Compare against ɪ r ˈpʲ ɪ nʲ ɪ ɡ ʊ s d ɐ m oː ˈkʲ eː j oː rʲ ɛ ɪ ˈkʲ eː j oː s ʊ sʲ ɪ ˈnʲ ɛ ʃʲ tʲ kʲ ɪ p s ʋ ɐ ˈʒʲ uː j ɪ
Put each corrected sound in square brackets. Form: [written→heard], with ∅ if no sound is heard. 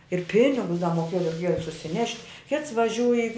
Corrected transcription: ɪ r ˈpʲ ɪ nʲ ɪ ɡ ʊ s d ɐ m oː ˈkʲ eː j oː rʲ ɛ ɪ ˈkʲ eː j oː s ʊ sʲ ɪ ˈnʲ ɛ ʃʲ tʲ kʲ ɪ [p→t] s ʋ ɐ ˈʒʲ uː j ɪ